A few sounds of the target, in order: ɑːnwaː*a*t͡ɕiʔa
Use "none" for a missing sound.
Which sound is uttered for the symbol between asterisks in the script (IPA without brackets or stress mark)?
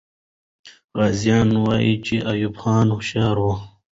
i